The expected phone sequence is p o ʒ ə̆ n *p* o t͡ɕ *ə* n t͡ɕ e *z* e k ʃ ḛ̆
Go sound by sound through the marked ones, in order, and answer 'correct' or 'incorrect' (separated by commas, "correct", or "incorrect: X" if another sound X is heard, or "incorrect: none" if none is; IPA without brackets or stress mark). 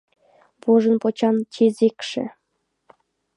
correct, incorrect: ɑ, correct